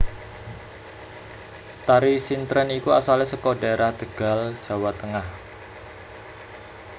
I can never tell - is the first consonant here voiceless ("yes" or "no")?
yes